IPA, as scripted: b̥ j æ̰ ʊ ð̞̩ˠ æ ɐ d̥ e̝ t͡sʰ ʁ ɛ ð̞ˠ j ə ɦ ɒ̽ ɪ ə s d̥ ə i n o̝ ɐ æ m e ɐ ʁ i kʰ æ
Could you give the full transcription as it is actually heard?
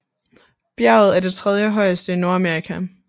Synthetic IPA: b̥ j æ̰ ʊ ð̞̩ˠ æ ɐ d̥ e̝ t͡sʰ ʁ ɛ ð̞ˠ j ə ɦ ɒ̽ ɪ ə s d̥ ə i n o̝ ɐ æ m e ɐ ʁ i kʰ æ